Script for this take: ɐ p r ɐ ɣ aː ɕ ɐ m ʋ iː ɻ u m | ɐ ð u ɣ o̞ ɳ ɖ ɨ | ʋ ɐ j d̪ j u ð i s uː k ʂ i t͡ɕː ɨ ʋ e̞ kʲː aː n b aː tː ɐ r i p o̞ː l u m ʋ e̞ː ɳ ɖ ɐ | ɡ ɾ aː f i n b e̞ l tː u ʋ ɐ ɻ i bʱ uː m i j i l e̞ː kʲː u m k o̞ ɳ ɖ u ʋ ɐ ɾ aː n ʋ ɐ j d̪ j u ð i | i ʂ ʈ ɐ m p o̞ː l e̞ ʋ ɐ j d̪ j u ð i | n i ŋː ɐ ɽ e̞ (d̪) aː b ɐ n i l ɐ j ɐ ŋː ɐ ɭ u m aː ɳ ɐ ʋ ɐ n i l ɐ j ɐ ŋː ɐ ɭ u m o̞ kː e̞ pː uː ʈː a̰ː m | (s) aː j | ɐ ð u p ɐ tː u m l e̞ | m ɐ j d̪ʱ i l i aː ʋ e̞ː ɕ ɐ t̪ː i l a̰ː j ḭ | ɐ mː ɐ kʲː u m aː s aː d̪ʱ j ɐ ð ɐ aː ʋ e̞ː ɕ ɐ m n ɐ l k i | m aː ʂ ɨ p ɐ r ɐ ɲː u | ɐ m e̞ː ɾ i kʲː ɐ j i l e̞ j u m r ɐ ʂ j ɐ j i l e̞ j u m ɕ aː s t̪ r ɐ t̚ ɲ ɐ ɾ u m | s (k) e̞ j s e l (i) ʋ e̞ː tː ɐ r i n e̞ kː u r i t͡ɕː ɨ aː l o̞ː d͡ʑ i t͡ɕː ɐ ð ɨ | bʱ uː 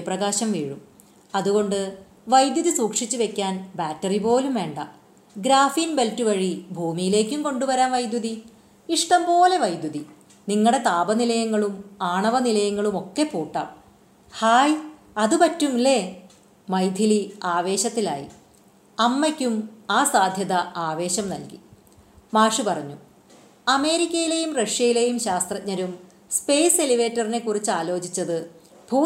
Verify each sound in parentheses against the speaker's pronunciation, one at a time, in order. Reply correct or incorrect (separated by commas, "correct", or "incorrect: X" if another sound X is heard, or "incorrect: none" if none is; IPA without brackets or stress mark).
incorrect: t̪, incorrect: h, incorrect: p, correct